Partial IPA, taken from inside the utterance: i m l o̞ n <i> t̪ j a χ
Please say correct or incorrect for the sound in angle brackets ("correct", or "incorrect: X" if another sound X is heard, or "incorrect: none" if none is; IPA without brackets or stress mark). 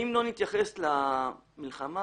correct